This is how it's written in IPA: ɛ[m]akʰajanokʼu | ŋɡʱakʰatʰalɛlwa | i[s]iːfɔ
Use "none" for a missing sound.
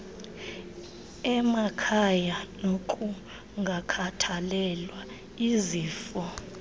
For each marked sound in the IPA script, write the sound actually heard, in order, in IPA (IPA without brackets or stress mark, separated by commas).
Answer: m, z